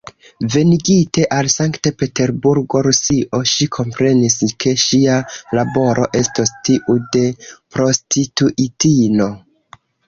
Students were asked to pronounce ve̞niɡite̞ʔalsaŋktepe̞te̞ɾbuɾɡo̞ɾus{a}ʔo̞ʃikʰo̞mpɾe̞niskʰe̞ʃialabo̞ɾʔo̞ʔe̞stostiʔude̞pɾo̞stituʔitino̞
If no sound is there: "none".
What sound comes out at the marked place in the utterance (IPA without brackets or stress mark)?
i